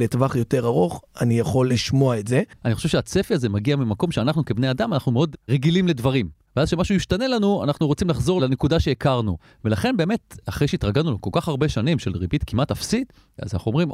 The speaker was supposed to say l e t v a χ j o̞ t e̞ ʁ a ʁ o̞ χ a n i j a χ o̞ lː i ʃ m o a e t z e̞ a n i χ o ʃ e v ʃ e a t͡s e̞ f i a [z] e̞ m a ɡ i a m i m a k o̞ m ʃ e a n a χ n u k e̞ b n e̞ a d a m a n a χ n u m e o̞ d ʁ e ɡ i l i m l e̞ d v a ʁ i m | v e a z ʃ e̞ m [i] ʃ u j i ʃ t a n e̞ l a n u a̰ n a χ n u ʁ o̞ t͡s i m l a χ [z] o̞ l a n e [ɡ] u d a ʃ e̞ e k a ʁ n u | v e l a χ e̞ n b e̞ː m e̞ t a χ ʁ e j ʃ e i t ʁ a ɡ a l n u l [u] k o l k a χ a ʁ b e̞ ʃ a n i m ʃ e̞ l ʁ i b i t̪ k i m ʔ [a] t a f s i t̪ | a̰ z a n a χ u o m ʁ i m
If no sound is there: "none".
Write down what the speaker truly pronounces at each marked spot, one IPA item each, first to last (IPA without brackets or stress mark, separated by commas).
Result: z, a, z, k, o, a